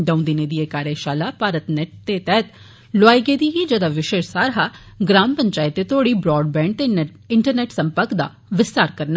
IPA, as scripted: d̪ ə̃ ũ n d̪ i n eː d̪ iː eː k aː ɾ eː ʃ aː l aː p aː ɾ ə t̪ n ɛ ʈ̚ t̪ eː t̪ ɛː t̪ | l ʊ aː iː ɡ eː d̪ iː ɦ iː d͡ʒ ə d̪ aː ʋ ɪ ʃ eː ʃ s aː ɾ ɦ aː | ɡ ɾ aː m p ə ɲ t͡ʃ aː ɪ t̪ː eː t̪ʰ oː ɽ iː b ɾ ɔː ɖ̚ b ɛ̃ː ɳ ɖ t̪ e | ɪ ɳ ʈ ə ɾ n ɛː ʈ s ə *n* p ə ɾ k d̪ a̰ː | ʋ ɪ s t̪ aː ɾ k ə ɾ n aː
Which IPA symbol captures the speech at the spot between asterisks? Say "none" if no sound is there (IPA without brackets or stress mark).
m